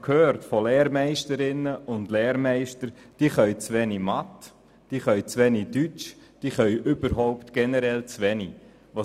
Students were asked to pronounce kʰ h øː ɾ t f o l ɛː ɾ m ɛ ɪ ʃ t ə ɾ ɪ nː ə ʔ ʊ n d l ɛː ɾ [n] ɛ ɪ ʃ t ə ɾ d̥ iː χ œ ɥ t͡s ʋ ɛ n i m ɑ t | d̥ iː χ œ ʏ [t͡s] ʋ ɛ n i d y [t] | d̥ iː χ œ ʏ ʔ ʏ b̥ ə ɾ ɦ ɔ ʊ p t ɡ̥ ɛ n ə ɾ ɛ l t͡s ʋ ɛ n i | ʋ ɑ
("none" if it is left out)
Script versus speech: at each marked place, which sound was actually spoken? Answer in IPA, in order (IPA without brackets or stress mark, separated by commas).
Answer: m, t͡s, t͡ʃ